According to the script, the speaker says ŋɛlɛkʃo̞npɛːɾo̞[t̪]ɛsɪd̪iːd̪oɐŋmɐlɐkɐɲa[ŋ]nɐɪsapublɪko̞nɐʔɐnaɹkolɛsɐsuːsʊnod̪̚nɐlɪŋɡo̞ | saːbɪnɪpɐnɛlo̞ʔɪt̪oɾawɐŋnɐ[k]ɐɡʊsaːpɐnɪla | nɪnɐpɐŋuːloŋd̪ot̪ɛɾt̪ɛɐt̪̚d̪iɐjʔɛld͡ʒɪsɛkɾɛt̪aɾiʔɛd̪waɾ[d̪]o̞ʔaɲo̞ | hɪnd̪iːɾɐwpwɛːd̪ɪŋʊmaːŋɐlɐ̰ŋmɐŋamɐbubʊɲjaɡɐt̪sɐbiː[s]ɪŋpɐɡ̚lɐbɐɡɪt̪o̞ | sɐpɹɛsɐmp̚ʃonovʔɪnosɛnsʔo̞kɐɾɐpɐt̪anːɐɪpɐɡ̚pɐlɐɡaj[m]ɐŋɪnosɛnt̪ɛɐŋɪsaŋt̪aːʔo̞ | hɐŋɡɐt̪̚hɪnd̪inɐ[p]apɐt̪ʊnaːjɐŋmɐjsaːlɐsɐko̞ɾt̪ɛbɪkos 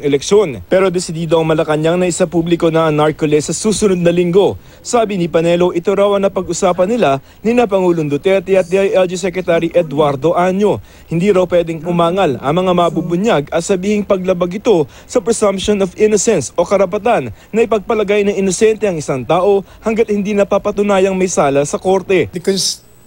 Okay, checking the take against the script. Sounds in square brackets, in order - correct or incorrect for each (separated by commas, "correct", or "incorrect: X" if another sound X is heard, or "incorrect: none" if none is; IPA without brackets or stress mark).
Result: incorrect: d̪, correct, incorrect: p, correct, incorrect: h, incorrect: n, correct